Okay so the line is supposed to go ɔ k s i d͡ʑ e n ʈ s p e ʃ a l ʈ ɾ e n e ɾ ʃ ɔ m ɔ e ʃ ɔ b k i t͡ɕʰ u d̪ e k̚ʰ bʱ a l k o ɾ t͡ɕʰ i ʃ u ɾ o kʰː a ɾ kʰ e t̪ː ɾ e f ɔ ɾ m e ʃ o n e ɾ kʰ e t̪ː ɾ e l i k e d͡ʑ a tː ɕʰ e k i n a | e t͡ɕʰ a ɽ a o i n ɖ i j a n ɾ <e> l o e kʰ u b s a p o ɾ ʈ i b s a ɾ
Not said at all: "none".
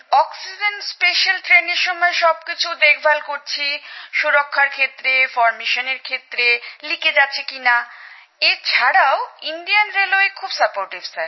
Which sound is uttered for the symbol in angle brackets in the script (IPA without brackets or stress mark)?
e